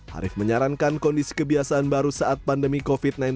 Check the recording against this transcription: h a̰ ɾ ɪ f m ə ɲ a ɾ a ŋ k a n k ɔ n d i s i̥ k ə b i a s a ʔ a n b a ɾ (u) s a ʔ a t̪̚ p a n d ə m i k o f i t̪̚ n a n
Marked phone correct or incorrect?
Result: correct